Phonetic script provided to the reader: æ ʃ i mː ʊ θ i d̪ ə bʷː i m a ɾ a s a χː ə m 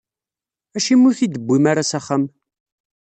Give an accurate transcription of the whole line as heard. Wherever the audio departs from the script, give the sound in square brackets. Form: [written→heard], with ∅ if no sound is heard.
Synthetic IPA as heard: æ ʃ i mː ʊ θ i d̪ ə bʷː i m a ɾ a s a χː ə m